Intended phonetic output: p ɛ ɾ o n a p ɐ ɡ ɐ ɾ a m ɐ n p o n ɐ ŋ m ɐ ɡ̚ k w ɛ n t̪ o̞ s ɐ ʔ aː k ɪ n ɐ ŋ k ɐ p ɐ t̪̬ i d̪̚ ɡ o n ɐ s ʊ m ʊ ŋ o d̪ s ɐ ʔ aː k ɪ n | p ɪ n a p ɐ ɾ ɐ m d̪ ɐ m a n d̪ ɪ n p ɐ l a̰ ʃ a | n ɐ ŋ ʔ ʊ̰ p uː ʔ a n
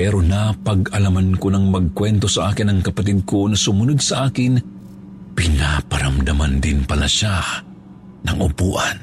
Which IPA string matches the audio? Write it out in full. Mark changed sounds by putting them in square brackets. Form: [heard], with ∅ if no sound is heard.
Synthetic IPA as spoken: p ɛ ɾ o n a p ɐ ɡ ɐ [l] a m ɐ n [k] o n ɐ ŋ m ɐ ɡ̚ k w ɛ n t̪ o̞ s ɐ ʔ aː k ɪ n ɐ ŋ k ɐ p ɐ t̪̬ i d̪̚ [k] o n ɐ s ʊ m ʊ [n] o d̪ s ɐ ʔ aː k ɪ n | p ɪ n a p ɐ ɾ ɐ m d̪ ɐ m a n d̪ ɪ n p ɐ l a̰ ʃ a | n ɐ ŋ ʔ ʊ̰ p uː ʔ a n